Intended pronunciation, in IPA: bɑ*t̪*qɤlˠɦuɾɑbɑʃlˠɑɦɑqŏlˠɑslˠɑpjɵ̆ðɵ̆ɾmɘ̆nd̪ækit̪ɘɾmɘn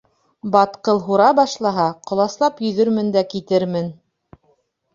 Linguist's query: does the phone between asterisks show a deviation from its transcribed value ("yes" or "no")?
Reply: no